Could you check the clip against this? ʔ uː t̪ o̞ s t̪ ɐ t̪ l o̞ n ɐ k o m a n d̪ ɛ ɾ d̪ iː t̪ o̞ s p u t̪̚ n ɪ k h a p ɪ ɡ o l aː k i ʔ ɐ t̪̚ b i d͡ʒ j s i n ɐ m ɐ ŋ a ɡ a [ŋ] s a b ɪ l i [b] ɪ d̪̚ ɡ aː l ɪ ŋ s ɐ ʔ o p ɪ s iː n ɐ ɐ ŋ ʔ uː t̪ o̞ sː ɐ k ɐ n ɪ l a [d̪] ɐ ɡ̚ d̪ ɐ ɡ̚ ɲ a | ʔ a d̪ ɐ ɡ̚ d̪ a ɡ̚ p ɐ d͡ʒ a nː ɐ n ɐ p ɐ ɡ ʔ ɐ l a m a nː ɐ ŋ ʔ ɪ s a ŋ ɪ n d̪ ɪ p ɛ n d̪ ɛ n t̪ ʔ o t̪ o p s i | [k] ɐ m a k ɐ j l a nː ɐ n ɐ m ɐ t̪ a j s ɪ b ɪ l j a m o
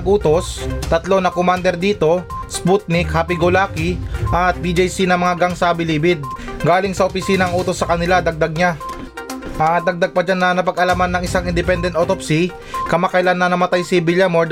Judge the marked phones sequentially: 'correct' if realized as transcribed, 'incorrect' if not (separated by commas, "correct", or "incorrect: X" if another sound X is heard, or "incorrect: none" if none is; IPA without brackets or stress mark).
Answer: correct, correct, correct, correct